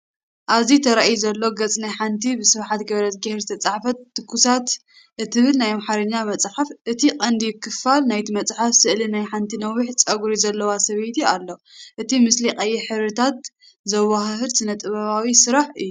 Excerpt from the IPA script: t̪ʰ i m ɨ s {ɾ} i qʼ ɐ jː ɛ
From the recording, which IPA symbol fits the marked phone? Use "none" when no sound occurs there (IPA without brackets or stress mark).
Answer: l